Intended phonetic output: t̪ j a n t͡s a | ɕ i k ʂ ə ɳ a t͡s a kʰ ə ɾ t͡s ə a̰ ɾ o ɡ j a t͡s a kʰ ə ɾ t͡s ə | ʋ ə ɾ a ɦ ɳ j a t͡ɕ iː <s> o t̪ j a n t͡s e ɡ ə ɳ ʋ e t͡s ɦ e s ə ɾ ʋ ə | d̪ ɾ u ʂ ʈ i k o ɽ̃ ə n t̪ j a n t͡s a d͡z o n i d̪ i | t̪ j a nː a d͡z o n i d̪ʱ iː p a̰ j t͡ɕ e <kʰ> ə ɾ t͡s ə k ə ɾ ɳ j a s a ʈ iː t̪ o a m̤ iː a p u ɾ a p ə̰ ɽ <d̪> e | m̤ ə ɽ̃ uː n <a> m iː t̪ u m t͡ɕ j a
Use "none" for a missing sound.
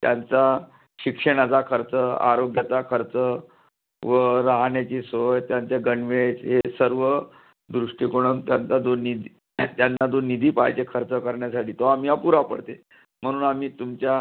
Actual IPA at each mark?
s, kʰ, t̪, a

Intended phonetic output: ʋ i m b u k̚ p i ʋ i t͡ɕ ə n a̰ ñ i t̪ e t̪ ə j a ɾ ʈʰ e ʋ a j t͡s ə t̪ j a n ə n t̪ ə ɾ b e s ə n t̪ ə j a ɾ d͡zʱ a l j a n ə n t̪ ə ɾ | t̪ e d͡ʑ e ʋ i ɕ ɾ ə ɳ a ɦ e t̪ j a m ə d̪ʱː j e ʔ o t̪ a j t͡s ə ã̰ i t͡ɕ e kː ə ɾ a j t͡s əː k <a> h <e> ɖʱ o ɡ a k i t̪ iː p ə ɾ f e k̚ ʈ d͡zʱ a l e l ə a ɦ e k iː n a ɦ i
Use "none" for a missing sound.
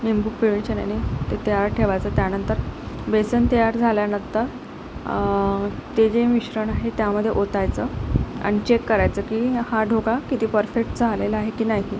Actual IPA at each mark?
i, a

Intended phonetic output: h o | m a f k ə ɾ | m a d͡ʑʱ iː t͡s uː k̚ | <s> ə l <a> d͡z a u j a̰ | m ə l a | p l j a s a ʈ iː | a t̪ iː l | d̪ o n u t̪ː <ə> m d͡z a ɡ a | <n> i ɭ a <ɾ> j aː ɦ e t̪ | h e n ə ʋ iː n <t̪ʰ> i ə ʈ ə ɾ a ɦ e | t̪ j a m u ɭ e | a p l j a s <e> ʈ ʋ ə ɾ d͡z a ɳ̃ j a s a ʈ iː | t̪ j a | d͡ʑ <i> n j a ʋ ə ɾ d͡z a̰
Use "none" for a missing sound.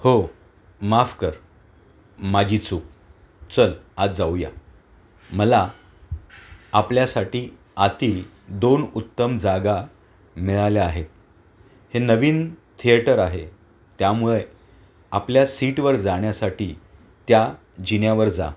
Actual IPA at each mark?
t͡s, a, ə, m, l, t̪ʰ, i, i

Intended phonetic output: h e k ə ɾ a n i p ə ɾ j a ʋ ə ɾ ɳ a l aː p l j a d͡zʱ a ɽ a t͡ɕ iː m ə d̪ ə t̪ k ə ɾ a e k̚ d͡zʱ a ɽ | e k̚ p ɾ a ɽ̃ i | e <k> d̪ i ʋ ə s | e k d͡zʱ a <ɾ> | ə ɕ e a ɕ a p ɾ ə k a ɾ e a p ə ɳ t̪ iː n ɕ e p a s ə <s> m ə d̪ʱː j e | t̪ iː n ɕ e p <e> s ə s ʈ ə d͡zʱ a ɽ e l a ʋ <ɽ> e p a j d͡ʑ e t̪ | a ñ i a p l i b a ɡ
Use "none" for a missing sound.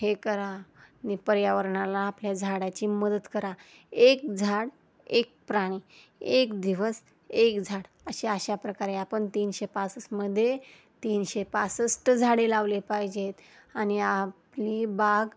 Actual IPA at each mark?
k, ɽ, s, a, l

